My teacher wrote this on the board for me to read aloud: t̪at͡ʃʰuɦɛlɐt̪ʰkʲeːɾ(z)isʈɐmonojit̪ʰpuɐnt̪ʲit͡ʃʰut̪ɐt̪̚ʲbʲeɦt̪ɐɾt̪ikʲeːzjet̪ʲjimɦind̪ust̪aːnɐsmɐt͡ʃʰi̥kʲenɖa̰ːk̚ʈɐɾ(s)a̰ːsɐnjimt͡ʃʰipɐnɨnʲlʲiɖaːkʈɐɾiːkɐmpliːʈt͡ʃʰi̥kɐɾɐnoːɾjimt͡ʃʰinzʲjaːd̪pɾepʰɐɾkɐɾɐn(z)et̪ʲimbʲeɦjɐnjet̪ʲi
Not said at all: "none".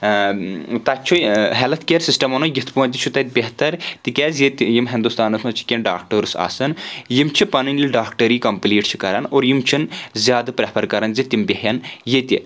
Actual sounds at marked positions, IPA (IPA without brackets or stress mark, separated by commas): s, s, z